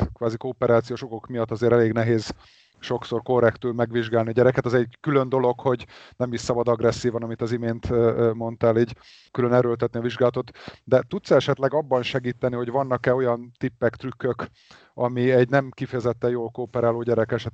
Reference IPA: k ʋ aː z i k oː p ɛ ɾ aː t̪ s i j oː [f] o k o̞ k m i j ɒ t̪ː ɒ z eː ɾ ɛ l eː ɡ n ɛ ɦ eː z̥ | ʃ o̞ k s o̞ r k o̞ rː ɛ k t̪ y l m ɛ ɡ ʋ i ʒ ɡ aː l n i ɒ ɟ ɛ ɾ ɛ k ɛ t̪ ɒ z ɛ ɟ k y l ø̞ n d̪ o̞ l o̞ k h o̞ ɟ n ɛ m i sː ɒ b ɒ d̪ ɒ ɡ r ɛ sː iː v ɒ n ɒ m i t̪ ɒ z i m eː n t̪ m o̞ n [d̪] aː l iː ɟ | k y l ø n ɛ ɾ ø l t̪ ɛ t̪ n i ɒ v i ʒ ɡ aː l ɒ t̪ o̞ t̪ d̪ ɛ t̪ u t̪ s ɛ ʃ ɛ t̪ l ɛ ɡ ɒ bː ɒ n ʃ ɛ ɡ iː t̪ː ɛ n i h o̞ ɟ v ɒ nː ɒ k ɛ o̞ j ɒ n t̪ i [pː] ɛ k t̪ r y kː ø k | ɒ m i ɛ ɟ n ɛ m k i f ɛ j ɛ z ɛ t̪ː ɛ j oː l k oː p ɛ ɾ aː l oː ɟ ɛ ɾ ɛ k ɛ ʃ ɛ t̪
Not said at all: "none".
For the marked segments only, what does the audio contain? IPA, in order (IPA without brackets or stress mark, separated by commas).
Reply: ʃ, t̪, pː